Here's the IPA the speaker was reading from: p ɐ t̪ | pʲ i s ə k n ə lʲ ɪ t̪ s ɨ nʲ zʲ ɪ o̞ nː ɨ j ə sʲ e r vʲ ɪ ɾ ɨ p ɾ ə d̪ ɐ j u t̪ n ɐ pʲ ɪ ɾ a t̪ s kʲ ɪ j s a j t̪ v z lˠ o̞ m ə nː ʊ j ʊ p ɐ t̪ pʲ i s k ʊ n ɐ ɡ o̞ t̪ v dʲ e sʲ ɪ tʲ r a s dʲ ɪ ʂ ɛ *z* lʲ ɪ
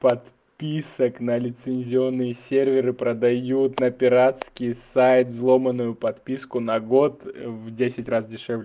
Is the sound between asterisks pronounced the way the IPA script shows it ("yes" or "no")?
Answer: no